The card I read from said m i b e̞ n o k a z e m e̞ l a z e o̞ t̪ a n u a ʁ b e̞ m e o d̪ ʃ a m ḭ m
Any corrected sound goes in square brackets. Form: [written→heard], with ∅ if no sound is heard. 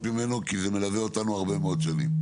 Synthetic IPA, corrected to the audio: m i [b→m] e̞ n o k [a→i] z e m e̞ l a [z→v] e o̞ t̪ a n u a ʁ b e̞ m e o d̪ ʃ a [m→n] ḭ m